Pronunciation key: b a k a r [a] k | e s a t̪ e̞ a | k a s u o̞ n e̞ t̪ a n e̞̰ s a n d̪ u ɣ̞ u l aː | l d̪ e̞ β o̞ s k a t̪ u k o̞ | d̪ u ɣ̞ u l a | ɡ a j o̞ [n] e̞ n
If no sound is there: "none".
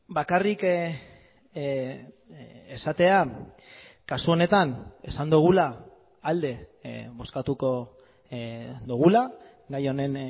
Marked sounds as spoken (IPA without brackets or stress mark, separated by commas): i, n